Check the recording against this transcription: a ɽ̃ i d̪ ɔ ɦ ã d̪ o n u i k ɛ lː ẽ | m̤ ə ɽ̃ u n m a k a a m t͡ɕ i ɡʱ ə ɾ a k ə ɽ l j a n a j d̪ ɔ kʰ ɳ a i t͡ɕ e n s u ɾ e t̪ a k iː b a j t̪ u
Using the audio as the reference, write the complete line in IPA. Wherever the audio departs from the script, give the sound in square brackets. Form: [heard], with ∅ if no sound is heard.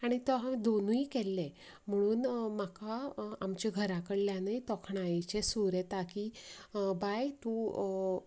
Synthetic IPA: a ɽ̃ i [t̪] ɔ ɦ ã d̪ o n u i k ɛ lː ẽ | m̤ ə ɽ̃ [uː] n m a k a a m t͡ɕ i ɡʱ ə ɾ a k ə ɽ l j a n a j [t̪] ɔ kʰ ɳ a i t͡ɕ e [∅] s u ɾ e t̪ a k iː b a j t̪ u